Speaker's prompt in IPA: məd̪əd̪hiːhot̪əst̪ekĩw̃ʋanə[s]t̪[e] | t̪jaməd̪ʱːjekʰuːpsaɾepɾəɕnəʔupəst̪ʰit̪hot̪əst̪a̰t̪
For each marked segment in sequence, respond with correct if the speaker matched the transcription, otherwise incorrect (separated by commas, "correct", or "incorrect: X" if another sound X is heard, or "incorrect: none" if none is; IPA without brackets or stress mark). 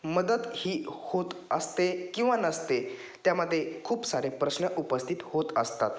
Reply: correct, correct